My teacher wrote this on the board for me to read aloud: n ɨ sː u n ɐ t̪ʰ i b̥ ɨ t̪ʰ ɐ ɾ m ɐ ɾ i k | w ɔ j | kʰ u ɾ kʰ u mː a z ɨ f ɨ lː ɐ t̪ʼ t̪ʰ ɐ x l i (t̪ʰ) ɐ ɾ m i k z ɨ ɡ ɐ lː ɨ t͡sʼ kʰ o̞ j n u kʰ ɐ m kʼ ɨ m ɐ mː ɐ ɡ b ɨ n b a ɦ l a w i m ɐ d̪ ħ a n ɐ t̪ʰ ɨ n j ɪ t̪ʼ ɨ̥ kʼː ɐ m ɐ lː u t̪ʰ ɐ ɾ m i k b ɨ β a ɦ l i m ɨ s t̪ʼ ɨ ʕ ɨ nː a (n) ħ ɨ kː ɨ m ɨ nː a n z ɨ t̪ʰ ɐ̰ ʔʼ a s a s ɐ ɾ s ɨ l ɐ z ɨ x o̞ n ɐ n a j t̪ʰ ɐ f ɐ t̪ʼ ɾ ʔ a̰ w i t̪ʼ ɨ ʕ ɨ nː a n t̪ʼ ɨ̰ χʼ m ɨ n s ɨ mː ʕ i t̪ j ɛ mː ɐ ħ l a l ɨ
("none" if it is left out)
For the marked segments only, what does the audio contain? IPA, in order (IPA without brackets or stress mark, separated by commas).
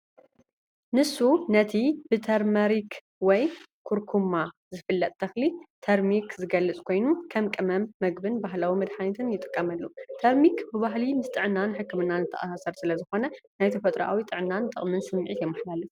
t̪ʰ, n